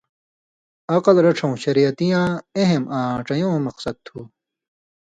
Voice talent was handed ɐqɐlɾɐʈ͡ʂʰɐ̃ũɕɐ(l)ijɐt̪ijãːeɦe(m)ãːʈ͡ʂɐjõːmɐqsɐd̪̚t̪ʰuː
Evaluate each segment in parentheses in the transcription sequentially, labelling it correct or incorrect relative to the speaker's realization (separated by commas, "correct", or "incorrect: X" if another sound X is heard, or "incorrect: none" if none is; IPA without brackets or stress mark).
incorrect: ɾ, correct